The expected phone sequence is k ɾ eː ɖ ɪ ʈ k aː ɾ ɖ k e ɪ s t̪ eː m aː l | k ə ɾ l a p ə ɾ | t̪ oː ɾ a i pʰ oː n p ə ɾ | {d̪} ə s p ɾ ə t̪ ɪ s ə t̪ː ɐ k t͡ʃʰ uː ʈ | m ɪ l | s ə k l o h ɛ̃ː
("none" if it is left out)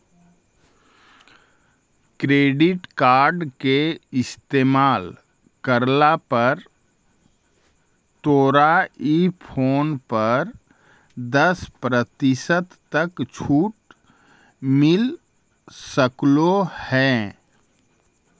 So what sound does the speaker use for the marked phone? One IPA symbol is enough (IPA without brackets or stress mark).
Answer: d̪